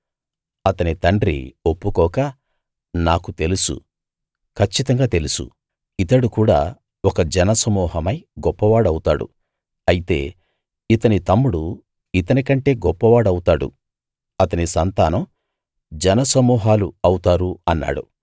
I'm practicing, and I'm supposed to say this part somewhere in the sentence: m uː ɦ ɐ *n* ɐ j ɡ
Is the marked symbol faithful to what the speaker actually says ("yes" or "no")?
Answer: no